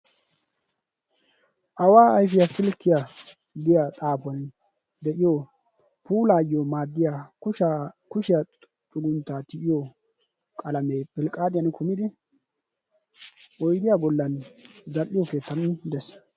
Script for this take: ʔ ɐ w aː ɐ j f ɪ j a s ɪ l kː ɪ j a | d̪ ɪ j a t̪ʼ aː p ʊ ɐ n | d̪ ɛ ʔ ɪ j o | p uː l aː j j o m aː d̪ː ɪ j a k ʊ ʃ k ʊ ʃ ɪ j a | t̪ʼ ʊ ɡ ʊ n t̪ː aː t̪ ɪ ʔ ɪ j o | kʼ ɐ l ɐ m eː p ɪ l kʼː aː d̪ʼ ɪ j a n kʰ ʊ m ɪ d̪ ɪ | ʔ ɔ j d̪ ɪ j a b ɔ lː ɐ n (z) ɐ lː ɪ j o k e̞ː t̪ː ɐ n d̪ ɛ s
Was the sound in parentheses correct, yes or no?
yes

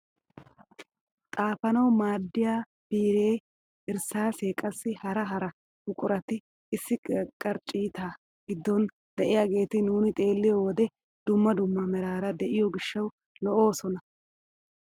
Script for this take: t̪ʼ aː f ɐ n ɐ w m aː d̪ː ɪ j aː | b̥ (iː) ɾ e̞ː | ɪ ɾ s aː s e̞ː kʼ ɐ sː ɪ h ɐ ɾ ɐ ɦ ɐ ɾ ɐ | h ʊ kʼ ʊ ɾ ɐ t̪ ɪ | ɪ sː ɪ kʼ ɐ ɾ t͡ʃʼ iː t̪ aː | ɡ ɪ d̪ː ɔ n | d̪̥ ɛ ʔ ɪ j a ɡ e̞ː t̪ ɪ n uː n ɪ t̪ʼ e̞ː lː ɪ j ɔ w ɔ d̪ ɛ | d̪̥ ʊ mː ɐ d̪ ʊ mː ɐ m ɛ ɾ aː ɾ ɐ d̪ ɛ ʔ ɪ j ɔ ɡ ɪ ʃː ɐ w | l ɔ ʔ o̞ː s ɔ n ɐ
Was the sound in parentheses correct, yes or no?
yes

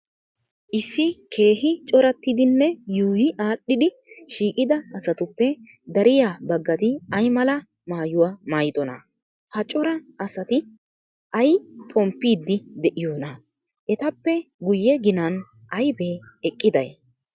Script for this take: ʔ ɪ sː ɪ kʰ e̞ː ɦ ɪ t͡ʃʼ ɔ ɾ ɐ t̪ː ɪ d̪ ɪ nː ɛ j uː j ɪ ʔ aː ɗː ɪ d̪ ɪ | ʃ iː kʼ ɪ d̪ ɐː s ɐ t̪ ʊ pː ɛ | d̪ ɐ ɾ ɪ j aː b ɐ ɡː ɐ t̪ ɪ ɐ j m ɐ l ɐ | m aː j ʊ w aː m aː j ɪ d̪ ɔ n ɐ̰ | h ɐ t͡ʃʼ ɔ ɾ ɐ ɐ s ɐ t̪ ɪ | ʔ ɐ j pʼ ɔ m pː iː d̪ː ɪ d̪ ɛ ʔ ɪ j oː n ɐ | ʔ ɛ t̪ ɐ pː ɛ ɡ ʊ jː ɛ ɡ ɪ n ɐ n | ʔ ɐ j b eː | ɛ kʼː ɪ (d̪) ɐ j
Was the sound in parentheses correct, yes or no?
yes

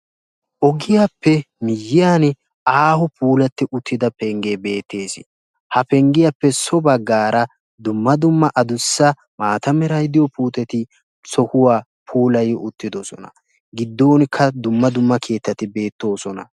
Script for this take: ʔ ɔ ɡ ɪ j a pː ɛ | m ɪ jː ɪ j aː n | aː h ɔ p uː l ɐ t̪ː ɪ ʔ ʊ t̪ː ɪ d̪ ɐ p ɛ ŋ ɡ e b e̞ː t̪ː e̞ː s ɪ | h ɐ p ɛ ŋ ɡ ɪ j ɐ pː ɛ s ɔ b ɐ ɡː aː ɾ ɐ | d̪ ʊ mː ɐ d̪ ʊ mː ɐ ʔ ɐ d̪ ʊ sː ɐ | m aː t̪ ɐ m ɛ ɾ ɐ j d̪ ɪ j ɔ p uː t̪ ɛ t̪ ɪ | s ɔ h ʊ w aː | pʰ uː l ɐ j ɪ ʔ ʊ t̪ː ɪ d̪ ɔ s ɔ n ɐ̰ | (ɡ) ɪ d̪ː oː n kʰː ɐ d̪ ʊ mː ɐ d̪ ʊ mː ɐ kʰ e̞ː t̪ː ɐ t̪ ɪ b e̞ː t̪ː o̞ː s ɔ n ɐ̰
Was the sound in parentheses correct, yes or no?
yes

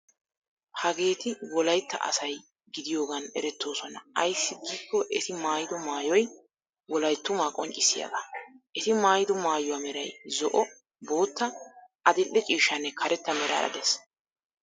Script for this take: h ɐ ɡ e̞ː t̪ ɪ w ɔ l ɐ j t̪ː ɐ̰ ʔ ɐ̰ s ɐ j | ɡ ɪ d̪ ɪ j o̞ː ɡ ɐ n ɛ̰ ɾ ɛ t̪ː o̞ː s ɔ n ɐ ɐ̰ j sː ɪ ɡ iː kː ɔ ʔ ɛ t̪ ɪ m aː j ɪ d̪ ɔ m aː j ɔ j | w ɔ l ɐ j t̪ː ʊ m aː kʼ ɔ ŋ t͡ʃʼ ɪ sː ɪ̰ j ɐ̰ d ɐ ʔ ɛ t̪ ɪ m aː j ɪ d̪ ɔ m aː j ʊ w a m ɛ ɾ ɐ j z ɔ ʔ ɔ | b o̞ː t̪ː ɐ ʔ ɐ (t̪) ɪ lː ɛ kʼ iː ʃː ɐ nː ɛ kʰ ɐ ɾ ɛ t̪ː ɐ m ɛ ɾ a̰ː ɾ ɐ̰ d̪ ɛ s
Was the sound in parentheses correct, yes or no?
no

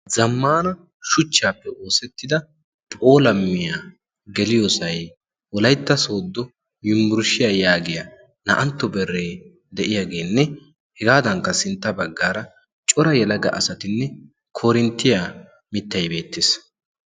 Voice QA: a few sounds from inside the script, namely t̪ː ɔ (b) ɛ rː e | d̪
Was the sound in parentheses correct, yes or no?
yes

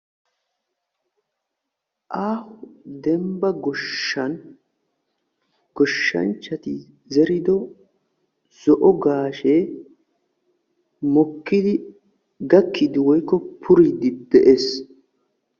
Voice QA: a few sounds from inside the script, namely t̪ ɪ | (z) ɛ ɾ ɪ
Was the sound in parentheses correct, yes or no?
yes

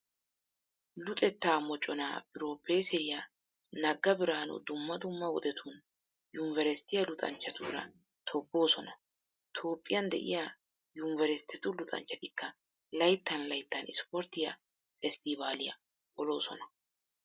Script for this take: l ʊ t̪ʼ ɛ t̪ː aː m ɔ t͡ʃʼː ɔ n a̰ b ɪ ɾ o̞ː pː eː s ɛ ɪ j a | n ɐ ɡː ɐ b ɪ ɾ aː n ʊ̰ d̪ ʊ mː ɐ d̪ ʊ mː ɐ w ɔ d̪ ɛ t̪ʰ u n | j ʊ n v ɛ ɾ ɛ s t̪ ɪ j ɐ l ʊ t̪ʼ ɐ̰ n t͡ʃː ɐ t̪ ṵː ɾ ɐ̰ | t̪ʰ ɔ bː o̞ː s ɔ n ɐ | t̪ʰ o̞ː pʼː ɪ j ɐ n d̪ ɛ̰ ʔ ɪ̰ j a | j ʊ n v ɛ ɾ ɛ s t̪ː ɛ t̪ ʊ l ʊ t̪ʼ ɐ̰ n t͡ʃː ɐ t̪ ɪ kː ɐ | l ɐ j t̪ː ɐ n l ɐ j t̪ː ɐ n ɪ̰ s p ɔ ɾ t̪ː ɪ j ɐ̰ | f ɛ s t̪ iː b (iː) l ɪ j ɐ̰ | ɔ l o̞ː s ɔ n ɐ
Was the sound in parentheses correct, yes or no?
no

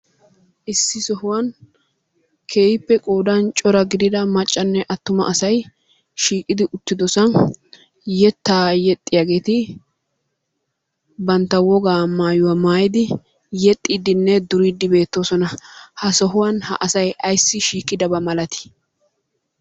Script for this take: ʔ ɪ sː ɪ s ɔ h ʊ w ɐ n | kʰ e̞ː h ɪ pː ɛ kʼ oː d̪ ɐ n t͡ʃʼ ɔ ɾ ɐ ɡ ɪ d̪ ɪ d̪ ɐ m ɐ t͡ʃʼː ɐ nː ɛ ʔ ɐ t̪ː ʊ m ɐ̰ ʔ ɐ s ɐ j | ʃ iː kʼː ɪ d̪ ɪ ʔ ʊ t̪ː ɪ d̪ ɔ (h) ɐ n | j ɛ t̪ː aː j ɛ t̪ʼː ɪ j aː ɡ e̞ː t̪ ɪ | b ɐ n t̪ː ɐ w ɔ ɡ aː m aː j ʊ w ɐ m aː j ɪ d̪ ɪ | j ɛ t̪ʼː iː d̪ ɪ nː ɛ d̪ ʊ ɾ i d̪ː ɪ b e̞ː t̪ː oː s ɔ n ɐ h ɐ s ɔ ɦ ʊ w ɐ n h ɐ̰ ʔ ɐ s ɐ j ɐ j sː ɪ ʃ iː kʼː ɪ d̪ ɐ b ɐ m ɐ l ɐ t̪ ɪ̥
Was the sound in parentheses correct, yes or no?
no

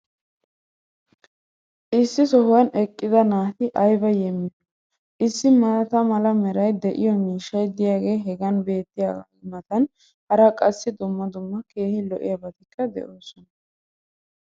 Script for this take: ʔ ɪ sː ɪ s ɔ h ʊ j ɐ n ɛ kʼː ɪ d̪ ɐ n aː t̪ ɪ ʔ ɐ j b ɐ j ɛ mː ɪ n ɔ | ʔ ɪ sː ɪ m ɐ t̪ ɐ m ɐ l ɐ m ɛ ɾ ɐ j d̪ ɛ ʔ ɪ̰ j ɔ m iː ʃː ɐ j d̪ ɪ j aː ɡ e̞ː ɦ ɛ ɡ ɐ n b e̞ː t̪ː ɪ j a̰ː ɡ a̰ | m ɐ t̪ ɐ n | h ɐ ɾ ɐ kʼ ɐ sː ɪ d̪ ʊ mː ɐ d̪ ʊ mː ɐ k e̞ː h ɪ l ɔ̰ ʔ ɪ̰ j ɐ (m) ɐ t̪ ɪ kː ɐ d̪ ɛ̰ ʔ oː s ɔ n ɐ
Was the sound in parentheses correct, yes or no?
no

